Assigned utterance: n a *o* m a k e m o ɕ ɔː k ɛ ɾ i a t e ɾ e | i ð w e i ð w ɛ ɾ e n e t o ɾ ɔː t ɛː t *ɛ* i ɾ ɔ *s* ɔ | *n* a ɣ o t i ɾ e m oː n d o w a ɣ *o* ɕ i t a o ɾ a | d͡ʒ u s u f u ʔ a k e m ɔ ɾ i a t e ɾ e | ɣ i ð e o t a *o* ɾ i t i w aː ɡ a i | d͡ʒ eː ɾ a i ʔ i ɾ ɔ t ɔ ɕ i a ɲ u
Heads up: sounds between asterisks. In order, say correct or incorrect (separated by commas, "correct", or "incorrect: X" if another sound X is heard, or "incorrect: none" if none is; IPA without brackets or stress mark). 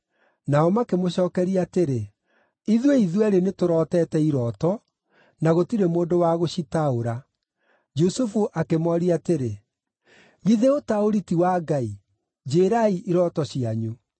incorrect: ɔ, correct, incorrect: t, correct, correct, correct